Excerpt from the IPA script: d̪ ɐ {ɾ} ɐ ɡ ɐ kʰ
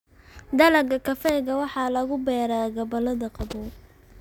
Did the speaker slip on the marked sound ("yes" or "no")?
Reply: yes